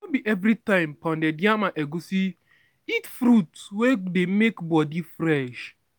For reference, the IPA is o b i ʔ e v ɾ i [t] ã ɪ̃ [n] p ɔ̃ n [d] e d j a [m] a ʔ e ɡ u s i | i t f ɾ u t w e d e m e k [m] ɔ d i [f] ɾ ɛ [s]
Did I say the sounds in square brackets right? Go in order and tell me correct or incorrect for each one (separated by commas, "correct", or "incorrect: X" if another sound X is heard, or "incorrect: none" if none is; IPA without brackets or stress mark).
correct, incorrect: m, correct, correct, incorrect: b, correct, incorrect: ʃ